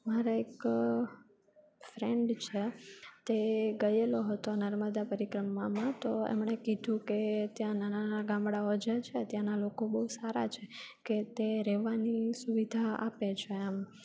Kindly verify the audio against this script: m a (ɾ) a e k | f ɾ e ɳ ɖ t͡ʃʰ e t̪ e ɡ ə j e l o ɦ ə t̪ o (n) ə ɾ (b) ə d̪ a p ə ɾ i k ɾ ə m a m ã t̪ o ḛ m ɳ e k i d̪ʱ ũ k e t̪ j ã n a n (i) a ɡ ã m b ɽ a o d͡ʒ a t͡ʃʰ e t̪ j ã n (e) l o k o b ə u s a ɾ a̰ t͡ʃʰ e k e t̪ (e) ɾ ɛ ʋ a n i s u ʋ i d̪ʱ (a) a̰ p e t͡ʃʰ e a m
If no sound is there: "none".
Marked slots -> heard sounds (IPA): ɾ, n, m, a, a, e, a

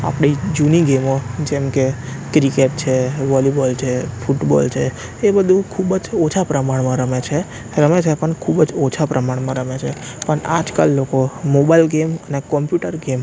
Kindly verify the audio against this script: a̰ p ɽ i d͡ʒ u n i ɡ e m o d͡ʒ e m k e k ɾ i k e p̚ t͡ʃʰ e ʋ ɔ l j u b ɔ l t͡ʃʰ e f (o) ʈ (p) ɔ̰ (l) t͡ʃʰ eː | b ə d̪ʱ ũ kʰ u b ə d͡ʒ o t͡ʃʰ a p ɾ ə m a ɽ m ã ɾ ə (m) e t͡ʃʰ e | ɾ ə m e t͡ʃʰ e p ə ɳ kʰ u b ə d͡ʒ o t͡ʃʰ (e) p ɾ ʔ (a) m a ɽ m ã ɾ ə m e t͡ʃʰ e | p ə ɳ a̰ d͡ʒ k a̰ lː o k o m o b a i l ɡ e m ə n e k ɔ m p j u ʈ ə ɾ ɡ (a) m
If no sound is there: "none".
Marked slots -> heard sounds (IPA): u, b, l, m, a, ə, e

